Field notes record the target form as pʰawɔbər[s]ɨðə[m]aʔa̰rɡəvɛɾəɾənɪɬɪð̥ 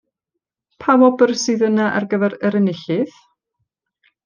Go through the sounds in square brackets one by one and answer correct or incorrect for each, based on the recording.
correct, incorrect

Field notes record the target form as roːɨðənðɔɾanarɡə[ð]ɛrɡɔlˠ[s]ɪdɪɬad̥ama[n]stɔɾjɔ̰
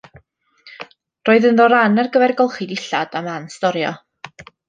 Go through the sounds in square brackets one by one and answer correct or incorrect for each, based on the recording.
incorrect, incorrect, correct

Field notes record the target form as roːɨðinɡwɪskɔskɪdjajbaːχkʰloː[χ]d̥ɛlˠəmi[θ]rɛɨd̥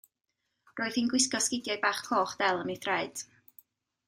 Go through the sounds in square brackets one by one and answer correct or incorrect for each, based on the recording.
correct, correct

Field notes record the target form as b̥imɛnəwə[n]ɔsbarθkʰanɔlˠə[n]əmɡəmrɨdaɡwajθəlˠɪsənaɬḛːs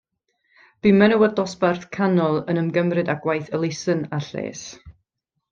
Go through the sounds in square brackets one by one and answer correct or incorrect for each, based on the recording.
incorrect, correct

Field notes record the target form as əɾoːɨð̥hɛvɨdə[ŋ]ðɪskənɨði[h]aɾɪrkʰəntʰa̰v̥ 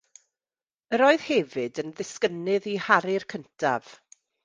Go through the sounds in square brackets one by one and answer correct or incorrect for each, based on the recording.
incorrect, correct

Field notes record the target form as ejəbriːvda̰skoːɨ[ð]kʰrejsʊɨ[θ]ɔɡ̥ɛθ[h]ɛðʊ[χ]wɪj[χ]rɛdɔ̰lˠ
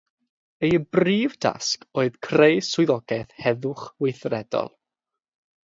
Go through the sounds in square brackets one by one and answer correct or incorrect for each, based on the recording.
correct, incorrect, correct, correct, incorrect

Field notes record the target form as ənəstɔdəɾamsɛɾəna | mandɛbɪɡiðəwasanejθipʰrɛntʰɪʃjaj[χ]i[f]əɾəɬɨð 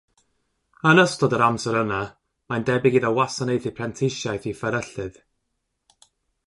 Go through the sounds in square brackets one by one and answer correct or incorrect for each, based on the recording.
incorrect, correct

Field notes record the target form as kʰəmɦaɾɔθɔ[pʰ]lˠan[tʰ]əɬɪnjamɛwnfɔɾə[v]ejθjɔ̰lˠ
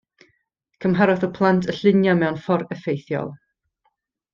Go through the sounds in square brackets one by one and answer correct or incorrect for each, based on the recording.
correct, correct, incorrect

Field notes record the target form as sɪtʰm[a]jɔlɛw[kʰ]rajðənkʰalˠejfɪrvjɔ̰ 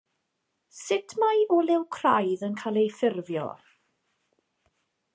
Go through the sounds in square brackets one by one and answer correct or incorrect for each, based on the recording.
correct, correct

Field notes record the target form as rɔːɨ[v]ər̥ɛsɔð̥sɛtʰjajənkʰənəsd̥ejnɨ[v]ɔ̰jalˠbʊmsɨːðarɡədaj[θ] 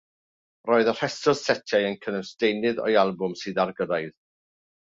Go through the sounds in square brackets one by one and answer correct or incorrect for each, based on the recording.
incorrect, incorrect, incorrect

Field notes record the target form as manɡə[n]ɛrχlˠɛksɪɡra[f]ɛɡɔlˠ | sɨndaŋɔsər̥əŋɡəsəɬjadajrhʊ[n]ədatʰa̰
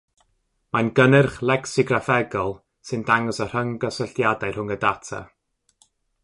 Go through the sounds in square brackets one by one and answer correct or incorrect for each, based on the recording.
correct, correct, incorrect

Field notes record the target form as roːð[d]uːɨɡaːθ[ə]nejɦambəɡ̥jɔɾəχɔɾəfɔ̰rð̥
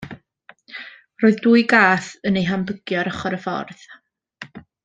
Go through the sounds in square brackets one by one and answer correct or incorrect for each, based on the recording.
correct, correct

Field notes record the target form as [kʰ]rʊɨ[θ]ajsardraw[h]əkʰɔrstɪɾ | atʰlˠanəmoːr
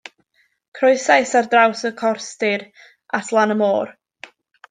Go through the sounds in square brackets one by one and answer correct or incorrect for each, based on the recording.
correct, incorrect, incorrect

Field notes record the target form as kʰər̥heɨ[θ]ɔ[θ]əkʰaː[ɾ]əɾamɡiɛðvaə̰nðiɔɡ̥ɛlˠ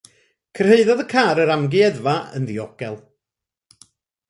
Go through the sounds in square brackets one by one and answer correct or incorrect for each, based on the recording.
incorrect, incorrect, correct

